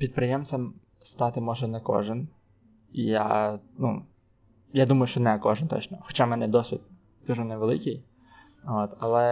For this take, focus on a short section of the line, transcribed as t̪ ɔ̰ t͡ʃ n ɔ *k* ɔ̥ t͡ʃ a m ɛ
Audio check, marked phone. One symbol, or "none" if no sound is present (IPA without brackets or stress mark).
x